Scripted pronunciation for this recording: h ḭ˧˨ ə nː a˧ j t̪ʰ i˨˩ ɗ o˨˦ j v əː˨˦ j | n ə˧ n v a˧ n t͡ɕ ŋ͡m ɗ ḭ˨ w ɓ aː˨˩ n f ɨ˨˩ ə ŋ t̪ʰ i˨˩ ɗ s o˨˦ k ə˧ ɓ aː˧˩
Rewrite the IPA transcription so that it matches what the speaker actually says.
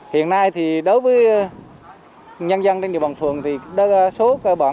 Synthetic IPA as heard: h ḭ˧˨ ə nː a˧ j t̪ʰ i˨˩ ɗ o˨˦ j v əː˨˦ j | ɲ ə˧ n z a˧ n t͡ɕ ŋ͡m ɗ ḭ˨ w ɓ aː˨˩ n f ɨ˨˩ ə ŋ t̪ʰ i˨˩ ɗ s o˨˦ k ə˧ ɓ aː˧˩